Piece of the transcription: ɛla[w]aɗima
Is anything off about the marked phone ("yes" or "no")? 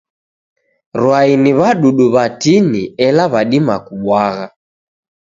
yes